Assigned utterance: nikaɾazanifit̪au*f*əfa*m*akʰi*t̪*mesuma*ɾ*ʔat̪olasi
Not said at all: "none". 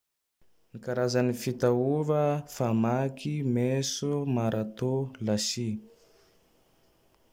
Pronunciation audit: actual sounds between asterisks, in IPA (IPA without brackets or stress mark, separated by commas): v, m, none, ɾ